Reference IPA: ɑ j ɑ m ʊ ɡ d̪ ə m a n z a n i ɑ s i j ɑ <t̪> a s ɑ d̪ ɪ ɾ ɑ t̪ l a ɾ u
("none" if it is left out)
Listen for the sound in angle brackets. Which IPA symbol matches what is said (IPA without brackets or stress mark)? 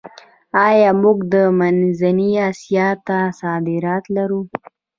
t̪